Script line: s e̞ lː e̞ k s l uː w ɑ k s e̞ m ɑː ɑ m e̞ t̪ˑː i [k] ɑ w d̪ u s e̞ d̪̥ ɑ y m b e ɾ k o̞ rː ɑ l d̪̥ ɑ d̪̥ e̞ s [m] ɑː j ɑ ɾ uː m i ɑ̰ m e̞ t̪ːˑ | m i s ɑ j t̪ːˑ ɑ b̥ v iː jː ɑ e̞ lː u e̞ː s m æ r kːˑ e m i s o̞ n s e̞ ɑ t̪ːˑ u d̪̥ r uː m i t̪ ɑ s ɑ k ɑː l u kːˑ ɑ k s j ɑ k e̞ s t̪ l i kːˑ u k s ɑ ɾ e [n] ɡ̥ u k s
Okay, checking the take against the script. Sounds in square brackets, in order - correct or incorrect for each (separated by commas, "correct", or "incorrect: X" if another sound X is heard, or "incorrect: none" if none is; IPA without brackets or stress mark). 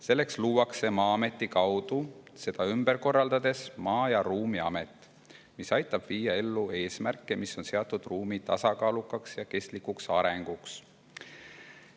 correct, correct, incorrect: ŋ